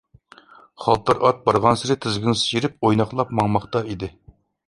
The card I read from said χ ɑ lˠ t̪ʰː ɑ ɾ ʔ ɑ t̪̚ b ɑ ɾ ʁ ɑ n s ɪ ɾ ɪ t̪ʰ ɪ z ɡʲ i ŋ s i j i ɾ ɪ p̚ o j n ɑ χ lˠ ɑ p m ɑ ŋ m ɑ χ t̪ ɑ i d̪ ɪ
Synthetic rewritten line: χ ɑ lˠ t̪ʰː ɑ ɾ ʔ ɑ t̪̚ b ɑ ɾ ʁ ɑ n s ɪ ɾ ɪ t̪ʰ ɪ z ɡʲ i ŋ s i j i ɾ ɪ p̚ o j n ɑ χ lˠ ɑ p m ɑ ŋ m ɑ χ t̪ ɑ i d̪ ɪ